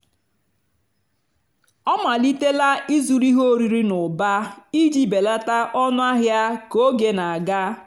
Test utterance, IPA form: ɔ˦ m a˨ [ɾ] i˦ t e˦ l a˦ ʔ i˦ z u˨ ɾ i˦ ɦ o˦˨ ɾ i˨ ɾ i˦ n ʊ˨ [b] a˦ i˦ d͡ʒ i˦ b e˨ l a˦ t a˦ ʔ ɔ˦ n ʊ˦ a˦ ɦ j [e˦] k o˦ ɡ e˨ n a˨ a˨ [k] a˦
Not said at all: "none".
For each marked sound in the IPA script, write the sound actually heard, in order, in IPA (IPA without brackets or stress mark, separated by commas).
l, b, a˦, ɡ